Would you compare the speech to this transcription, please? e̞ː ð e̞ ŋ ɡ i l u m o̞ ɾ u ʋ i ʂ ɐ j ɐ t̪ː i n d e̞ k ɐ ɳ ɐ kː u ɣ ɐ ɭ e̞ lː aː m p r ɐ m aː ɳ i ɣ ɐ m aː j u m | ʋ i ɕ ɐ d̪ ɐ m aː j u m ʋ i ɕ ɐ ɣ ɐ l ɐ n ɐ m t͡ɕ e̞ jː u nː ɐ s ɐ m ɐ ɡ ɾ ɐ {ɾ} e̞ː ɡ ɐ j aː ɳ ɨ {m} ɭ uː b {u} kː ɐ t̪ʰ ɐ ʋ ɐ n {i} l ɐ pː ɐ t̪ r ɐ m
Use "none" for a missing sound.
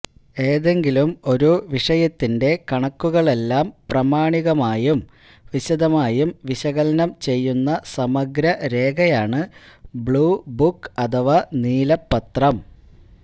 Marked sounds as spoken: ɾ, b, u, iː

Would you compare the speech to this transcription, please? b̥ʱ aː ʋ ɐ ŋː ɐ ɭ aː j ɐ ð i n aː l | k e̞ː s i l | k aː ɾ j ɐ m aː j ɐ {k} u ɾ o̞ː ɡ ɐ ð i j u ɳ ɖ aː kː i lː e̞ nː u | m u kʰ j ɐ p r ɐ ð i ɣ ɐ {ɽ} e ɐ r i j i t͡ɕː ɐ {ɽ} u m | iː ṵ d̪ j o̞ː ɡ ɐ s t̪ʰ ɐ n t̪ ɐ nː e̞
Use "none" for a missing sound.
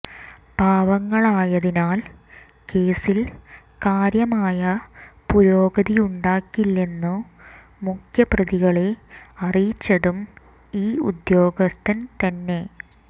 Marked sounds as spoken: p, ɭ, ɽ

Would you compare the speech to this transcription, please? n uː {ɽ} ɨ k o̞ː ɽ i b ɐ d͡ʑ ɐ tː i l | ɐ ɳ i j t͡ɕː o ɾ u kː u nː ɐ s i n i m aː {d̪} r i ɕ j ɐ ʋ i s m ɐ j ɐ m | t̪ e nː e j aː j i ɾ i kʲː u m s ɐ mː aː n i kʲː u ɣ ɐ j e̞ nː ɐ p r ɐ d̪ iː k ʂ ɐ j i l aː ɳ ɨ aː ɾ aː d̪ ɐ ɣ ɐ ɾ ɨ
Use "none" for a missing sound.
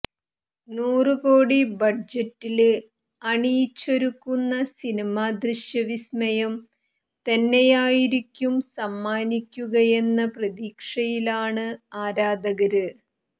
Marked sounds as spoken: r, d̪

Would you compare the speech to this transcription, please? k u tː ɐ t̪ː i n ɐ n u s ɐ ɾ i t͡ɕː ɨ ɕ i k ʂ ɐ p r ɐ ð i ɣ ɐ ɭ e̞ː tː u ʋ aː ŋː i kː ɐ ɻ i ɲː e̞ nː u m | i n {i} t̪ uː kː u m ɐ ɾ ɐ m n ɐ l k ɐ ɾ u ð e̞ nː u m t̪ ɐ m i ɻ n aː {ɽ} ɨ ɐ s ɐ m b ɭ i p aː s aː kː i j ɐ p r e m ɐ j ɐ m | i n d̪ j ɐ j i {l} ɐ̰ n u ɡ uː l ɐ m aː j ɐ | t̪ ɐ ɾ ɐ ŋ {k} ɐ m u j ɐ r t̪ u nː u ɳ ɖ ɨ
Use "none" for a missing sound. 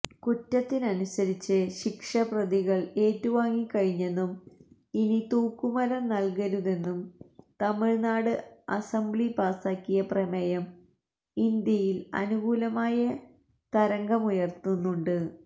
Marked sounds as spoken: i, ɽ, l, ɡ

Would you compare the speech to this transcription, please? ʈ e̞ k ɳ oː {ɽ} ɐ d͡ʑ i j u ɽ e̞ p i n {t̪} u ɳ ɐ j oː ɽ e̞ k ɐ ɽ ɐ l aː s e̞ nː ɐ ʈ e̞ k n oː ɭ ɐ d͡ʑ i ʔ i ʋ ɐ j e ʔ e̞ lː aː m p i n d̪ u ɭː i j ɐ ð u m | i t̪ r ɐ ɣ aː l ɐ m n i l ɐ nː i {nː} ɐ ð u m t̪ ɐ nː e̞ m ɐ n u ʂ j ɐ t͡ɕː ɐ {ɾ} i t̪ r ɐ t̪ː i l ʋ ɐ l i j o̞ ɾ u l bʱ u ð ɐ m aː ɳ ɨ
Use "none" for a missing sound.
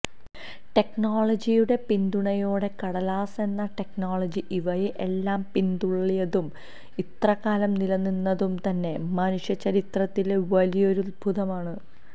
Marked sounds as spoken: ɭ, d̪, nː, ɾ

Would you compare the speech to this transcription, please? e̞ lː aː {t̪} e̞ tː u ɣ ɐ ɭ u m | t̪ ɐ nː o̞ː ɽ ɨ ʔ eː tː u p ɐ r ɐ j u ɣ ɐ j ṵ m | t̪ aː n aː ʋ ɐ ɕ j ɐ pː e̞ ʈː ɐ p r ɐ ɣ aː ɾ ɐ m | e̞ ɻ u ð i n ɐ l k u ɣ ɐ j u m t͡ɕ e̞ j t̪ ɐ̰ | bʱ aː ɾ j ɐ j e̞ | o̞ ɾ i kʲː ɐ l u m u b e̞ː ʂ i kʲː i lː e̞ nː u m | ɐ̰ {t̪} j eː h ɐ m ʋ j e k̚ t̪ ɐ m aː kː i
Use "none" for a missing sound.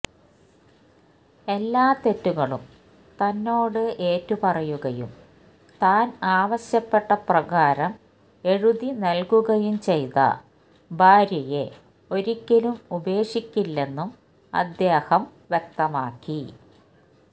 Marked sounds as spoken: t̪, d̪

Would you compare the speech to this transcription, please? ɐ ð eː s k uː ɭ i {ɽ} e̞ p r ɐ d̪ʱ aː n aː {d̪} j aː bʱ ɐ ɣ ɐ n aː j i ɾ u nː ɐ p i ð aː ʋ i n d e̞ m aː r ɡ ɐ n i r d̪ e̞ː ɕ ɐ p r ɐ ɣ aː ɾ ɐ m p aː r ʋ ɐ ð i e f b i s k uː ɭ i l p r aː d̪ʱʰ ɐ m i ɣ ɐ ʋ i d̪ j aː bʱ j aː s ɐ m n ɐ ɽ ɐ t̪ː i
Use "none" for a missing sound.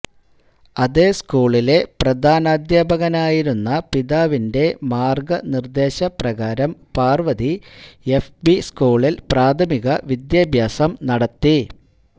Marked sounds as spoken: l, d̪

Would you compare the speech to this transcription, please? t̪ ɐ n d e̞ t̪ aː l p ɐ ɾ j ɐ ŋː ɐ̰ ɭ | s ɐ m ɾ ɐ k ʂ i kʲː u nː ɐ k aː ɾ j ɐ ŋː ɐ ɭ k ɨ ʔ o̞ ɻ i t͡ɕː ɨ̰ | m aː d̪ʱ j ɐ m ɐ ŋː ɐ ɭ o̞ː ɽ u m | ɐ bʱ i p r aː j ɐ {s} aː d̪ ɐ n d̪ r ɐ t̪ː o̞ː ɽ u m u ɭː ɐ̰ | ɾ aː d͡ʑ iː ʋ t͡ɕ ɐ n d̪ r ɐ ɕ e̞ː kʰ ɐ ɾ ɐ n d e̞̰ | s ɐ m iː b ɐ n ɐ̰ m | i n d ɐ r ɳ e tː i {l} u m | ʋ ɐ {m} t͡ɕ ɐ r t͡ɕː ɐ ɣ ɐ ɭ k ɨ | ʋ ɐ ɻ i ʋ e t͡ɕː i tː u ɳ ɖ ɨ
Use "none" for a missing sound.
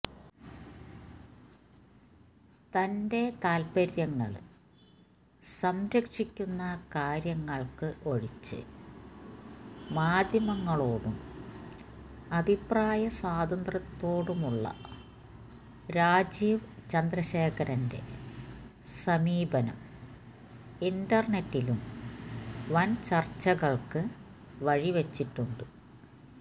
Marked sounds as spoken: s, l, n

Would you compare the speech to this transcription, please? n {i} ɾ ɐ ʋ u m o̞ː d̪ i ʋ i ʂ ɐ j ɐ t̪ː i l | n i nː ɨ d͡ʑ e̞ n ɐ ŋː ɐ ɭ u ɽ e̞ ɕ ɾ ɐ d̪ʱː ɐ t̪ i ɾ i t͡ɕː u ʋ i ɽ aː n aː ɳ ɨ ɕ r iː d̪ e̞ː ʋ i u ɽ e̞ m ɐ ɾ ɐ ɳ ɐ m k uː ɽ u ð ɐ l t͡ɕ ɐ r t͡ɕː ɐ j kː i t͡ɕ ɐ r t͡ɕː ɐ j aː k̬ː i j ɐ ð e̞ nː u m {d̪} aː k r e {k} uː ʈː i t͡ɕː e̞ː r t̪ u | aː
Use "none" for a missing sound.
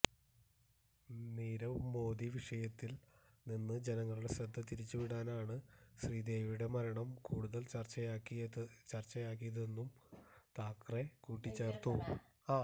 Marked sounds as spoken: iː, t̪, k

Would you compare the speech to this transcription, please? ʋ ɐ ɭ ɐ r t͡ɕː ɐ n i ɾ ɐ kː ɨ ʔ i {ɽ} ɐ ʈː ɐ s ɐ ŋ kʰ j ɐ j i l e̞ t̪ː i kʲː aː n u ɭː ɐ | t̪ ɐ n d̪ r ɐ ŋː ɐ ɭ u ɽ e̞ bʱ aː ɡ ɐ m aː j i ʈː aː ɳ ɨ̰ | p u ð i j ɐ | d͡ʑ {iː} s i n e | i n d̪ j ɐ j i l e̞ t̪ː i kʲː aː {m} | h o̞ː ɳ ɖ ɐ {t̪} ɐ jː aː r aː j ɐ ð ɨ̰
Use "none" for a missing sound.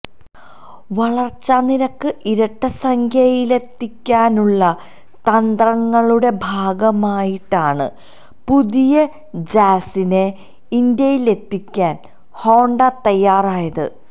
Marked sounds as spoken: ɾ, aː, n, t̪

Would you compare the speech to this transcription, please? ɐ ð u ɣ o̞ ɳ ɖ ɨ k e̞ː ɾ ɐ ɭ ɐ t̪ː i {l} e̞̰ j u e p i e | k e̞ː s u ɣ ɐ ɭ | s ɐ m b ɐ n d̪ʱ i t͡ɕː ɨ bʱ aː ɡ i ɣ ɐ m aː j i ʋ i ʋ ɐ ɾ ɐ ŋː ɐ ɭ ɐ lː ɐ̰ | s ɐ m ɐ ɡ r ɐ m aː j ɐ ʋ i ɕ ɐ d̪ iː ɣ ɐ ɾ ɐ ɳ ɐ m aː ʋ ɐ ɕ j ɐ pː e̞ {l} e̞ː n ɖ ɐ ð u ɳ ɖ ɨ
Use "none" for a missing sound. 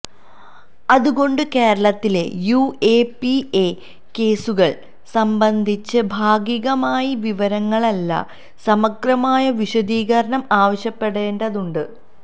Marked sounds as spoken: l, ɽ

